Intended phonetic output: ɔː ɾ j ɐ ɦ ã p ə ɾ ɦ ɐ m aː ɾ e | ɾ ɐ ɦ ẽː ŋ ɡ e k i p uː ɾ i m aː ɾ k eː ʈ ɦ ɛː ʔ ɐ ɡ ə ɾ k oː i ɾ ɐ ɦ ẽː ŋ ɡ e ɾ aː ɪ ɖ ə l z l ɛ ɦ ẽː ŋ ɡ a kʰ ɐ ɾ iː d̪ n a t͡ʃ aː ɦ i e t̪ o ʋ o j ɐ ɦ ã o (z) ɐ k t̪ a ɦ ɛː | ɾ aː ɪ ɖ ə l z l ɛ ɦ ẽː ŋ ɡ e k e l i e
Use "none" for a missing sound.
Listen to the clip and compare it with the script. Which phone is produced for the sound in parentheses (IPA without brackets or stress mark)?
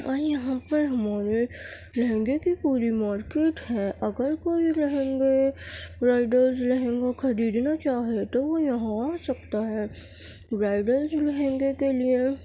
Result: s